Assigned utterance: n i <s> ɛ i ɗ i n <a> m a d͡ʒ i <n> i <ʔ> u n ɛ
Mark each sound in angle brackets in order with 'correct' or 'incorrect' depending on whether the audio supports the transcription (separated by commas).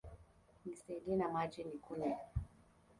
correct, correct, correct, incorrect